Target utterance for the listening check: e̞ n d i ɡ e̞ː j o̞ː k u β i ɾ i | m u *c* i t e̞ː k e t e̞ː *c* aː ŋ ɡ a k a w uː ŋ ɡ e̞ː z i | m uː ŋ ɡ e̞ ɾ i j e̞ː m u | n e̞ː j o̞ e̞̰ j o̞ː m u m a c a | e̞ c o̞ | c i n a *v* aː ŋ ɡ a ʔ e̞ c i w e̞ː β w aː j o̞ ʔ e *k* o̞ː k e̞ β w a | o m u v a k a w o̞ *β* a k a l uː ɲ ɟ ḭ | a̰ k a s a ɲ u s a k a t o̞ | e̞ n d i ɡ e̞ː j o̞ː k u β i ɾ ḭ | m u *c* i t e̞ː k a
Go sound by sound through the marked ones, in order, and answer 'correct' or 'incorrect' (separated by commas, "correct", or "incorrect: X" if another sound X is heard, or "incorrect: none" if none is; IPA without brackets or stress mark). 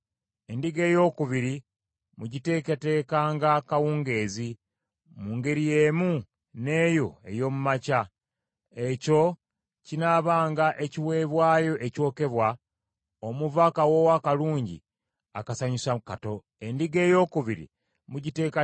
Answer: incorrect: ɟ, incorrect: k, incorrect: β, incorrect: c, incorrect: w, incorrect: ɟ